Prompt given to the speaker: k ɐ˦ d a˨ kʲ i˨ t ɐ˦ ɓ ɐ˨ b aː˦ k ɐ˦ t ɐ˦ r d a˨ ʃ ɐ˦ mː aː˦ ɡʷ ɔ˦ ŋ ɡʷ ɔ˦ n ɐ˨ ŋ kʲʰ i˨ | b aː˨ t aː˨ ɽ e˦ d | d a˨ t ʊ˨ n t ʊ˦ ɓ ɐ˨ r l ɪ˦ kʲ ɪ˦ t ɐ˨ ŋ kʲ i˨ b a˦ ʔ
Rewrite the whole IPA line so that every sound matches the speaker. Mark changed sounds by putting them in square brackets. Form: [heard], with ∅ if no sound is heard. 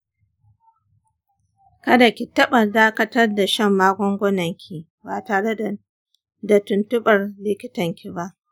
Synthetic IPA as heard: k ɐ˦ d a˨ kʲ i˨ t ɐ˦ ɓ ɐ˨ [d] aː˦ k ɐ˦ t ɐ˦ r d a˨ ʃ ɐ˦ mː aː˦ ɡʷ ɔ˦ ŋ ɡʷ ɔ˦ n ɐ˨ ŋ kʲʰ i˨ | b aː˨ t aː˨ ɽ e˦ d | d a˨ t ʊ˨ n t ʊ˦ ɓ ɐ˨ r l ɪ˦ kʲ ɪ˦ t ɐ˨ ŋ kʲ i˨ b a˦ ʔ